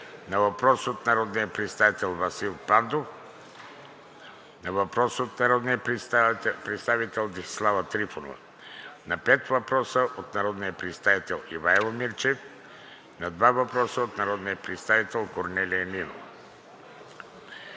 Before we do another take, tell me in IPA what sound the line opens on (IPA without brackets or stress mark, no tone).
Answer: n